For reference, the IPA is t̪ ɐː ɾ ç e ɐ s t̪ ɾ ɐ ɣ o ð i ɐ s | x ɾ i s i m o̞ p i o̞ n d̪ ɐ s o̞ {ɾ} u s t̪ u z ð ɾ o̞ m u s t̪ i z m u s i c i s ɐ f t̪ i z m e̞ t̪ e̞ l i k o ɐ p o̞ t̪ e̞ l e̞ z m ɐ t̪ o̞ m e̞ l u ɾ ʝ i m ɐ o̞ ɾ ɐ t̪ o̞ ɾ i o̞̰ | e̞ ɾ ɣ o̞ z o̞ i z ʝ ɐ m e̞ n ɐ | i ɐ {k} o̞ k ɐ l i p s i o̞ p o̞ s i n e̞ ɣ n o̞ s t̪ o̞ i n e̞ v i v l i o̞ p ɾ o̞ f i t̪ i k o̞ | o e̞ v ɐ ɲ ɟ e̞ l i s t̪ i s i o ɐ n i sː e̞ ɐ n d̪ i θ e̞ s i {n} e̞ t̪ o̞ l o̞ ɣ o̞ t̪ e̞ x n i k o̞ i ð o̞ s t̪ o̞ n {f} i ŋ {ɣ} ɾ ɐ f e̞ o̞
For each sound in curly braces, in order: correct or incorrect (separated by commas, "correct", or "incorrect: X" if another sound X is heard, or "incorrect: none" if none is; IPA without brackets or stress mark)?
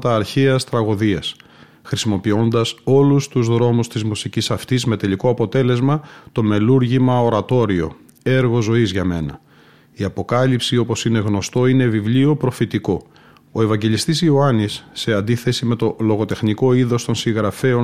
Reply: incorrect: l, incorrect: p, incorrect: m, incorrect: s, correct